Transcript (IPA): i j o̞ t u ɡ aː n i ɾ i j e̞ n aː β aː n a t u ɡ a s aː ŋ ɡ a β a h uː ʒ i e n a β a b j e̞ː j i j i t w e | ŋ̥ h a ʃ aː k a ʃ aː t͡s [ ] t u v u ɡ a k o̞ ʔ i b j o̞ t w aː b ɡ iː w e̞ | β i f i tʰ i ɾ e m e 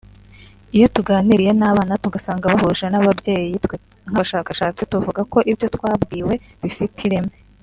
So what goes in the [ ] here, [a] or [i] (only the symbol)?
i